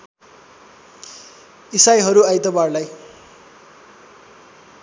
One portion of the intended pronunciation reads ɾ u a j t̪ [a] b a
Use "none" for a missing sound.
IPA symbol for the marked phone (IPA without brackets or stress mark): ʌ